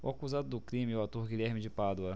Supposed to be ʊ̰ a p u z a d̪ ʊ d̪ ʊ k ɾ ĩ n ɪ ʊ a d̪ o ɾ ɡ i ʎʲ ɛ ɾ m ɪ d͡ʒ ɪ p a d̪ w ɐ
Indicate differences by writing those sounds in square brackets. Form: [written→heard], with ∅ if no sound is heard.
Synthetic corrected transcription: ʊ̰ a [p→k] u z a d̪ ʊ d̪ ʊ k ɾ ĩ [n→m] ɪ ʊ a [d̪→t̪] o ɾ ɡ i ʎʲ ɛ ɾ m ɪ d͡ʒ ɪ p a d̪ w ɐ

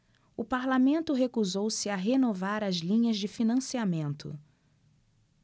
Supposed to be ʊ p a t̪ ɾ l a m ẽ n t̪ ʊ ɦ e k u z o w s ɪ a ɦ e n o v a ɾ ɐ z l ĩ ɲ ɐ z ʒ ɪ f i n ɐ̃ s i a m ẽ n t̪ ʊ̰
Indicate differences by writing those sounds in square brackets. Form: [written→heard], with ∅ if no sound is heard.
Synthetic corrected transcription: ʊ p a [t̪→∅] ɾ l a m ẽ n t̪ ʊ ɦ e k u z o w s ɪ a ɦ e n o v a ɾ ɐ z l ĩ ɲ ɐ z [ʒ→d͡ʒ] ɪ f i n ɐ̃ s i a m ẽ n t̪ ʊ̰

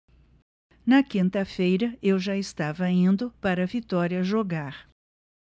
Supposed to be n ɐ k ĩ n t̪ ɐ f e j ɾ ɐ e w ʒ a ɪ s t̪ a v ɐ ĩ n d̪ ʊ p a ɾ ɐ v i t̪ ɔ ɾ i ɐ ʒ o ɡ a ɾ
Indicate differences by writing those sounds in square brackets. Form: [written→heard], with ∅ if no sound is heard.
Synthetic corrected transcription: n ɐ k ĩ n t̪ ɐ f e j ɾ ɐ e w ʒ a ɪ s t̪ a v ɐ ĩ n d̪ ʊ p a ɾ ɐ v i t̪ ɔ ɾ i ɐ ʒ o ɡ a ɾ

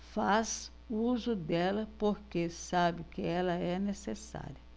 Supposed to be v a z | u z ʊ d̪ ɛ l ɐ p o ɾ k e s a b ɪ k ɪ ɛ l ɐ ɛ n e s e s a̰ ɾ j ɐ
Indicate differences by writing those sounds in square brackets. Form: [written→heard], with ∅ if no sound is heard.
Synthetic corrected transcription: [v→f] a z | u z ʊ d̪ ɛ l ɐ p o ɾ k e s a b ɪ k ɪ ɛ l ɐ ɛ n e s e s a̰ ɾ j ɐ

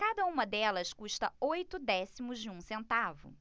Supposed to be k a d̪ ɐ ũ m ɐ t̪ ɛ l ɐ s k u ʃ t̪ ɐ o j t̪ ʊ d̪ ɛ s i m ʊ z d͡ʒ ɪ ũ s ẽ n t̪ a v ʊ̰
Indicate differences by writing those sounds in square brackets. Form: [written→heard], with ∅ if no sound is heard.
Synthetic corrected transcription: k a d̪ ɐ ũ m ɐ [t̪→d̪] ɛ l ɐ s k u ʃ t̪ ɐ o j t̪ ʊ d̪ ɛ s i m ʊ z d͡ʒ ɪ ũ s ẽ n t̪ a v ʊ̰

